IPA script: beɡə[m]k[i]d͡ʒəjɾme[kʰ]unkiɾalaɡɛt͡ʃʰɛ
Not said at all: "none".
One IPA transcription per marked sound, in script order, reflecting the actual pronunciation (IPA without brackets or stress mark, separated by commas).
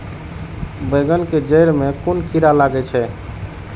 n, e, k